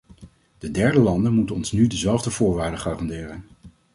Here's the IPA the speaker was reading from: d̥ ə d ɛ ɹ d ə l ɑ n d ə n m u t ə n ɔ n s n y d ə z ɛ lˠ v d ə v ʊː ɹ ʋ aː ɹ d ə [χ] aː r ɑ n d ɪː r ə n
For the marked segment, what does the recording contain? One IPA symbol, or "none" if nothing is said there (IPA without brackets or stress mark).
χ